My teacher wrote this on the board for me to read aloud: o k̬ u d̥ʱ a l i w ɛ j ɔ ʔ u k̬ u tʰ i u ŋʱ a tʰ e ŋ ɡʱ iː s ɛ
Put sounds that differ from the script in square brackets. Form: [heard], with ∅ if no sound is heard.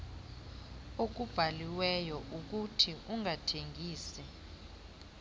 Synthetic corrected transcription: o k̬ u [b̥ʱ] a l i w ɛ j ɔ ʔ u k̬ u tʰ i u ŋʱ a tʰ e ŋ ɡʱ iː s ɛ

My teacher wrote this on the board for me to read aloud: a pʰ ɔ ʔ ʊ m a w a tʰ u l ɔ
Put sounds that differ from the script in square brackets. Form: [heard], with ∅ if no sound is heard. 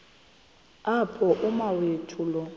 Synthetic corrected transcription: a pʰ ɔ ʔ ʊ m a w [e] tʰ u l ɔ

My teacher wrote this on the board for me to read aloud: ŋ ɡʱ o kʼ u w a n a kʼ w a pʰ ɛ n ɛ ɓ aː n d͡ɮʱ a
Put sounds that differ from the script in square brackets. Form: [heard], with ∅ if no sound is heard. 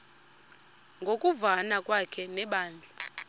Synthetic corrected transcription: ŋ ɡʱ o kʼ u [v] a n a kʼ w a [kʰ] ɛ n ɛ ɓ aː n d͡ɮʱ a

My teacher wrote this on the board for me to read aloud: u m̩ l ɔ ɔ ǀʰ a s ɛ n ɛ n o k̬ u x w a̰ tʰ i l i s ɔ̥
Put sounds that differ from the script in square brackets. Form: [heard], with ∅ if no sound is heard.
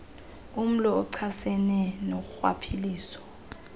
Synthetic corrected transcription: u m̩ l ɔ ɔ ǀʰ a s ɛ n ɛ n o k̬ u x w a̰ [pʰ] i l [iː] s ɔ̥

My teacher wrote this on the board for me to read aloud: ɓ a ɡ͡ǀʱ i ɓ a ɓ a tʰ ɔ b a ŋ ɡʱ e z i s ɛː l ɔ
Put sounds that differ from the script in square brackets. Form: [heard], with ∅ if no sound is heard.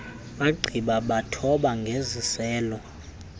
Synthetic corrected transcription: ɓ a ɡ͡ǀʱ i ɓ a ɓ a tʰ ɔ [ɓ] a ŋ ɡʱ e z i s ɛː l ɔ

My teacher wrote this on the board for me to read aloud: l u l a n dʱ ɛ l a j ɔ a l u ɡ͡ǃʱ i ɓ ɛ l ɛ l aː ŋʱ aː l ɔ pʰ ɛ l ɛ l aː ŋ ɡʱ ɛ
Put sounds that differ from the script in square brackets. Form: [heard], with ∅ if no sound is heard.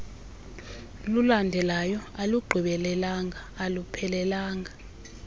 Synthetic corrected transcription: l u l a n dʱ ɛ l a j ɔ a l u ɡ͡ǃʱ i ɓ ɛ l ɛ l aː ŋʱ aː l [u] pʰ ɛ l ɛ l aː ŋ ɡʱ [a]

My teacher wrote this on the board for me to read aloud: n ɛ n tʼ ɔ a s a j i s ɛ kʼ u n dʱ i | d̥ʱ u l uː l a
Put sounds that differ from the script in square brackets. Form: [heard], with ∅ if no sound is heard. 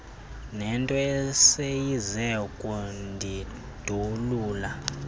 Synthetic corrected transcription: n ɛ n tʼ ɔ [ɛ] s [e] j i [z] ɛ kʼ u n dʱ i | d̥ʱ u l uː l a

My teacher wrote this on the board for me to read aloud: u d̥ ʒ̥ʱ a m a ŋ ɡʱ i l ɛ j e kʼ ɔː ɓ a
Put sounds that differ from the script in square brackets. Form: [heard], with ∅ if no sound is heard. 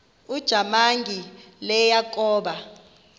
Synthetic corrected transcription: u d̥ ʒ̥ʱ a m a ŋ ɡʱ i l ɛ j [a] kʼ ɔː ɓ a

